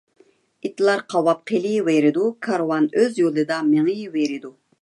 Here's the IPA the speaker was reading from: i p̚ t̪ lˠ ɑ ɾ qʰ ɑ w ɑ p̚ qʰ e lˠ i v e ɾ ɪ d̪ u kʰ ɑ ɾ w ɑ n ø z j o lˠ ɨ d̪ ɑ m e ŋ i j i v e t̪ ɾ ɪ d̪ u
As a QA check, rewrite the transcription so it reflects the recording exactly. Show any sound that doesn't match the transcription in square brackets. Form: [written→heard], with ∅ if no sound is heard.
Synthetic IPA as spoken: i [p̚→∅] t̪ lˠ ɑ ɾ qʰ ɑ w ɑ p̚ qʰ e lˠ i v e ɾ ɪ d̪ u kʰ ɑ ɾ w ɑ n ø z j o lˠ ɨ d̪ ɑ m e ŋ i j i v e [t̪→∅] ɾ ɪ d̪ u